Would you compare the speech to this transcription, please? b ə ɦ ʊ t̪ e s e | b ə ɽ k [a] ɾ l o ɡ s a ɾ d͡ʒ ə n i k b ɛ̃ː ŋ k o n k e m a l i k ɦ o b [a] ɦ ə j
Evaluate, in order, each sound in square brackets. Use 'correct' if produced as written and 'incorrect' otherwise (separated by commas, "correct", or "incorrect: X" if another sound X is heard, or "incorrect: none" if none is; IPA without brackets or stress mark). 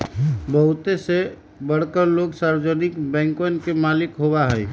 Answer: incorrect: ə, correct